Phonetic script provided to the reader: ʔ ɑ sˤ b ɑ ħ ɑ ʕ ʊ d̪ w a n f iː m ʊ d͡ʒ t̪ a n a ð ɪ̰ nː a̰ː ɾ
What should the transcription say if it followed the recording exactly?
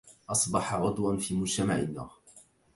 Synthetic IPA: ʔ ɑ sˤ b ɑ ħ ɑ ʕ ʊ d̪ w a n f iː m ʊ d͡ʒ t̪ a m a ʕ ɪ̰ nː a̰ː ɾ